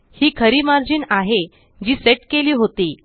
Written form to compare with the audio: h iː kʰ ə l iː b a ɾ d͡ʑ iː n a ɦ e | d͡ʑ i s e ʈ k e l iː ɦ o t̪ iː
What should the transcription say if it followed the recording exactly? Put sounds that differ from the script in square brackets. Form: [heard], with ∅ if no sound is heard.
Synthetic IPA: h iː kʰ ə [ɾ] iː [m] a ɾ d͡ʑ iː n a ɦ e | d͡ʑ [iː] s e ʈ k e l iː ɦ o t̪ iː